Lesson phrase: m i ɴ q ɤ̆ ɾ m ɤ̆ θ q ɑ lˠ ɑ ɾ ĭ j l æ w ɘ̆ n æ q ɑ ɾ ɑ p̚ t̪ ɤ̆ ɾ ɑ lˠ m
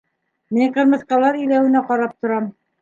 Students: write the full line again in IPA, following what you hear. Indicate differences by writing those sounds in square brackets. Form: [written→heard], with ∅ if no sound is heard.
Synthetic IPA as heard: m i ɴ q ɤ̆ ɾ m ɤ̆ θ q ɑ lˠ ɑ ɾ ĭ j l æ w ɘ̆ n æ q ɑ ɾ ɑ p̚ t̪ [ɤ̆→ŏ] ɾ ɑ [lˠ→∅] m

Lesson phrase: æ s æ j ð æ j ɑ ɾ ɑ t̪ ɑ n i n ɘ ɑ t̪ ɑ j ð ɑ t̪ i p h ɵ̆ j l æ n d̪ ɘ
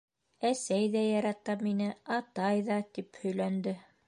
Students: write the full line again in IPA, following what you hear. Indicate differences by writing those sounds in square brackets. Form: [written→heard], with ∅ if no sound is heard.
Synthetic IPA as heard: æ s æ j ð æ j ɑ ɾ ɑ t̪ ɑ [n→m] i n ɘ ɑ t̪ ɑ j ð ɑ t̪ i p h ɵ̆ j l æ n d̪ ɘ

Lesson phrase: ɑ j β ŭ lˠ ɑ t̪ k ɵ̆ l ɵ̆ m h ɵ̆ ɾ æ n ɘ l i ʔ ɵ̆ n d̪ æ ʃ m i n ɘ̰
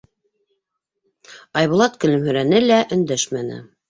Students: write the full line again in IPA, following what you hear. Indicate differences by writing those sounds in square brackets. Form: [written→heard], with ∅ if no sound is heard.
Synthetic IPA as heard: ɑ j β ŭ lˠ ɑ t̪ k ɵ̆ l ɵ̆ m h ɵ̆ ɾ æ n ɘ l [i→æ] ʔ ɵ̆ n d̪ æ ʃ m [i→æ] n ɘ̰

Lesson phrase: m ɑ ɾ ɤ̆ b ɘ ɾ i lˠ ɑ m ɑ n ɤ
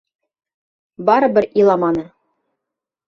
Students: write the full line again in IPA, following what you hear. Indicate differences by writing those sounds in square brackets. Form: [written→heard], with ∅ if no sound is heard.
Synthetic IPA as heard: [m→b] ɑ ɾ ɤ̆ b ɘ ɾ i lˠ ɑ m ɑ n ɤ

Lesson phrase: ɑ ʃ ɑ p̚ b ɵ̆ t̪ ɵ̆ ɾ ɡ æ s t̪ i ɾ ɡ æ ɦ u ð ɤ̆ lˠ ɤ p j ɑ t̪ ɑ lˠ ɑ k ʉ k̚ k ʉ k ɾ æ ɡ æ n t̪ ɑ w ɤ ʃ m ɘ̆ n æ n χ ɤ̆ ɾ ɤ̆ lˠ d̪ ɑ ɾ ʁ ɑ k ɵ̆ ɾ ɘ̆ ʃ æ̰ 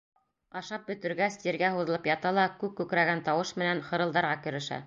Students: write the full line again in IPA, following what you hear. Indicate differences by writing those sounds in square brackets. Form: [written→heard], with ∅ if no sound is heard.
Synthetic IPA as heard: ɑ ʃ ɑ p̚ b ɵ̆ t̪ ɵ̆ ɾ ɡ æ s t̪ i ɾ ɡ æ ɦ u ð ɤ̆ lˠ ɤ p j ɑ t̪ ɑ lˠ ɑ k ʉ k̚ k ʉ k ɾ æ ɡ æ n t̪ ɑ w ɤ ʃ m ɘ̆ n æ n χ ɤ̆ ɾ ɤ̆ lˠ d̪ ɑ ɾ ʁ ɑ k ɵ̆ ɾ ɘ̆ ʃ æ̰

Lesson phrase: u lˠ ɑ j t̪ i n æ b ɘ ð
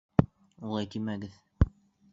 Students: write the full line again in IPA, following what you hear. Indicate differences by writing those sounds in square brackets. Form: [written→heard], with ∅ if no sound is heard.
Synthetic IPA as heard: u lˠ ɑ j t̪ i [n→m] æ [b→ɡ] ɘ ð

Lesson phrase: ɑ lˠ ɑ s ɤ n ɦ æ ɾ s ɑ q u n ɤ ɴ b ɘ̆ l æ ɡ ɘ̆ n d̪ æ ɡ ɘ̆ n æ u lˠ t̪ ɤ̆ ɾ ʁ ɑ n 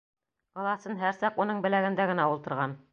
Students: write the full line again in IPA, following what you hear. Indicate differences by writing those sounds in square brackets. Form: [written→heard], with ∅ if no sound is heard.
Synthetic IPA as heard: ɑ lˠ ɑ s ɤ n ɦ æ ɾ s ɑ q u n ɤ ɴ b ɘ̆ l æ ɡ ɘ̆ n d̪ æ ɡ ɘ̆ n æ u lˠ t̪ ɤ̆ ɾ ʁ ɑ n

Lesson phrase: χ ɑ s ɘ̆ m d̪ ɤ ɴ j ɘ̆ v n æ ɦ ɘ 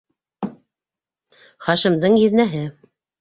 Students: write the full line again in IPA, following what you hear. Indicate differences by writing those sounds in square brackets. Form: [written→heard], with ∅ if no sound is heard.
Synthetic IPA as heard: χ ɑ [s→ʃ] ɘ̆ m d̪ ɤ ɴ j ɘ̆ [v→ð] n æ ɦ ɘ

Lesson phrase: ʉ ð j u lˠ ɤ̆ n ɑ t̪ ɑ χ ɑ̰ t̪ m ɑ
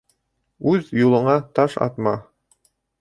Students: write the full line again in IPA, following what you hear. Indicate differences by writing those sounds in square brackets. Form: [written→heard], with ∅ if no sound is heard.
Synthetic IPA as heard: ʉ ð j u lˠ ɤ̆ [n→ɴ] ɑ t̪ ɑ [χ→ʃ] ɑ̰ t̪ m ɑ

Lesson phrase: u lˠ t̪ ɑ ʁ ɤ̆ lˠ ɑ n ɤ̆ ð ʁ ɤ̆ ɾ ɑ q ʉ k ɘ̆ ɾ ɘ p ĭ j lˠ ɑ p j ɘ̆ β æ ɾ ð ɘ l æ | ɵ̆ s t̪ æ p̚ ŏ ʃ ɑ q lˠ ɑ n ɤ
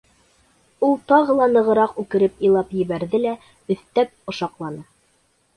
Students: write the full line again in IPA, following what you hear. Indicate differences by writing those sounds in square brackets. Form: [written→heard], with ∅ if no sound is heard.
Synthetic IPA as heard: u lˠ t̪ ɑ ʁ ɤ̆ lˠ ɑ n ɤ̆ [ð→∅] ʁ ɤ̆ ɾ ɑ q ʉ k ɘ̆ ɾ ɘ p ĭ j lˠ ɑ p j ɘ̆ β æ ɾ ð ɘ l æ | ɵ̆ [s→θ] t̪ æ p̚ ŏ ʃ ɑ q lˠ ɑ n ɤ

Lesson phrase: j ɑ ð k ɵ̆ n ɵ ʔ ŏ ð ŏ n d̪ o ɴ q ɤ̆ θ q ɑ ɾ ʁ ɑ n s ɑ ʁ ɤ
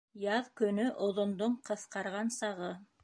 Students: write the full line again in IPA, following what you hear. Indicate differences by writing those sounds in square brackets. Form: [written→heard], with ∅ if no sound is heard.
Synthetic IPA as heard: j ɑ ð k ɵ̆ n ɵ ʔ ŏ ð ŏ n d̪ o ɴ q ɤ̆ θ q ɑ ɾ ʁ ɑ n s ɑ ʁ ɤ

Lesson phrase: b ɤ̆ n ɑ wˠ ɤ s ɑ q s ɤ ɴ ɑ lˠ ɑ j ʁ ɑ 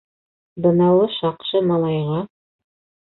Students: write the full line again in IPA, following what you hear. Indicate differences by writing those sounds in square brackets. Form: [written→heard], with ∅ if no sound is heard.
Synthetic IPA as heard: b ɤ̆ n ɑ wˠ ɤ [s→ʃ] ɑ q [s→ʃ] ɤ [ɴ→m] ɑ lˠ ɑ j ʁ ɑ

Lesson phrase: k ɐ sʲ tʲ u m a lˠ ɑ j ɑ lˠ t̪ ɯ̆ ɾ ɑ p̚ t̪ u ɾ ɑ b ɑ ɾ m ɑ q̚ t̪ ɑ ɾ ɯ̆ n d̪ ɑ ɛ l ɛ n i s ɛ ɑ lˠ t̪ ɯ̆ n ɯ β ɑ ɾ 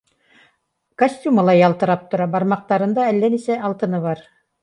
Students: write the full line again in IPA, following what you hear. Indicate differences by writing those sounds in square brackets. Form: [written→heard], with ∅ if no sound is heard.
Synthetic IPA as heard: k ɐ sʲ tʲ u m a lˠ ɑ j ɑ lˠ t̪ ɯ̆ ɾ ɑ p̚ t̪ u ɾ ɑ b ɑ ɾ m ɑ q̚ t̪ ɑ ɾ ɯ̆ n d̪ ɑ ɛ [l→lː] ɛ n i s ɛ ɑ lˠ t̪ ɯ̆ n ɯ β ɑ ɾ

